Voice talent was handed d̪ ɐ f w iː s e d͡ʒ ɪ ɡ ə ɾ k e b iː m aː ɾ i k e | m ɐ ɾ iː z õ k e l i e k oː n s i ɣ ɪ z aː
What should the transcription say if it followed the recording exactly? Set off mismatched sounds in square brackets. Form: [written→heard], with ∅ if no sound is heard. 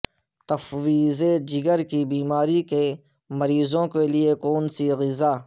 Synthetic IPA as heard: [d̪→t̪] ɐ f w iː [s→z] e d͡ʒ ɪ ɡ ə ɾ k [e→i] b iː m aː ɾ i k e | m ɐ ɾ iː z õ k e l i e k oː n s i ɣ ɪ z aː